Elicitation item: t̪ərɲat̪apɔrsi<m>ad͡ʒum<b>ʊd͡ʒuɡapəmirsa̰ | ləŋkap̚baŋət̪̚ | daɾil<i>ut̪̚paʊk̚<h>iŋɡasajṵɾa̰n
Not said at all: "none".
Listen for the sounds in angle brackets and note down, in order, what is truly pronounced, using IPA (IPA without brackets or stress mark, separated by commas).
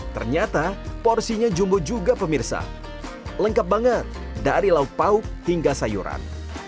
ɲ, b, a, h